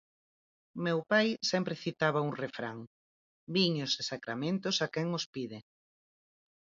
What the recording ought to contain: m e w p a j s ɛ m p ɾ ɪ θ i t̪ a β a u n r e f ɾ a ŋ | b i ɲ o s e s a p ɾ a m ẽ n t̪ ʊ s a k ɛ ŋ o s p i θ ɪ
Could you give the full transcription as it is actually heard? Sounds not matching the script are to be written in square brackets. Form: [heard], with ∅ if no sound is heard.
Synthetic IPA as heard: m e w p a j s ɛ m p ɾ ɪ θ i t̪ a β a u [ŋ] r e f ɾ a ŋ | b i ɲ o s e s a [k] ɾ a m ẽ n t̪ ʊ s a k ɛ ŋ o s p i [ð] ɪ